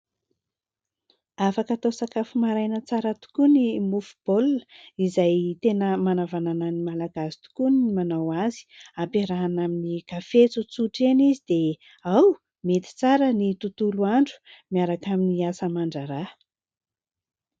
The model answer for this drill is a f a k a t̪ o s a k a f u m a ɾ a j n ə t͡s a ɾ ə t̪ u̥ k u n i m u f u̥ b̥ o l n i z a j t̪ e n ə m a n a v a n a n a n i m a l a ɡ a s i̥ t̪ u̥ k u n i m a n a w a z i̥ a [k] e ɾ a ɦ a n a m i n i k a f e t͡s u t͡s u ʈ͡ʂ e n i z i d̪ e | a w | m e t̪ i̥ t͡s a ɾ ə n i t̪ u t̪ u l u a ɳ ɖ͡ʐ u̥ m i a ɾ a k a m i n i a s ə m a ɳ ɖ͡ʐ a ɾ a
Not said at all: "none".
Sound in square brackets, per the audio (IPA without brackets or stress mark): p